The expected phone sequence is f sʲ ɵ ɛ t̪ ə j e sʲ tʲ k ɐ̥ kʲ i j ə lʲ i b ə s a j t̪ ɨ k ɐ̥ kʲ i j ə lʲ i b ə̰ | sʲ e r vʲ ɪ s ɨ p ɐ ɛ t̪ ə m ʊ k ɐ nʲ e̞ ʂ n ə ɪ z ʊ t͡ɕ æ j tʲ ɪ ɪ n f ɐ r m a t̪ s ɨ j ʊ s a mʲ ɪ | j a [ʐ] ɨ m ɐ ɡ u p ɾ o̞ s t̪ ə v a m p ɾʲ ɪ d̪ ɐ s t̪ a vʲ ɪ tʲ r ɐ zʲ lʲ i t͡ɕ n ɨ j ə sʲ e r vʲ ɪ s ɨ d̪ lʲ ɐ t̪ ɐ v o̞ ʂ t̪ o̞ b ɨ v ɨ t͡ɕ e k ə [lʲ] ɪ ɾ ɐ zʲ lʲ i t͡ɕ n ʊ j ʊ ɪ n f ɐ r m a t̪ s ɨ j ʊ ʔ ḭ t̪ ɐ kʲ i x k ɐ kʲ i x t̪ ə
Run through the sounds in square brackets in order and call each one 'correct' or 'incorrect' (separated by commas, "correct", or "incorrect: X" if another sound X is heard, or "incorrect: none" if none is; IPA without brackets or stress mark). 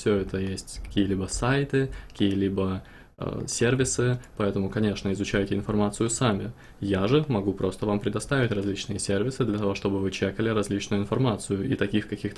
correct, correct